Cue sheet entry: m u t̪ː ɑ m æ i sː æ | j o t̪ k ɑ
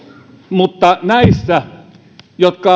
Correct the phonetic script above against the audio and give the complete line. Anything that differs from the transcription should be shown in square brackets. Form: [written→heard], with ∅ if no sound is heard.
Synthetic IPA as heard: m u t̪ː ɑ [m→n] æ i sː æ | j o t̪ k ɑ